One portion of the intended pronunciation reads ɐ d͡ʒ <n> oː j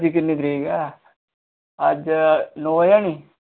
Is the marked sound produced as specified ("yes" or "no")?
yes